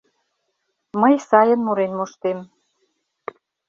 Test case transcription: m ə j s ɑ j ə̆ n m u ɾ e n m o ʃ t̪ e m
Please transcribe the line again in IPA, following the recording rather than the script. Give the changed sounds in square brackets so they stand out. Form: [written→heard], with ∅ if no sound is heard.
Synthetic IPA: m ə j s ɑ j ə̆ n m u ɾ e n m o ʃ t̪ e m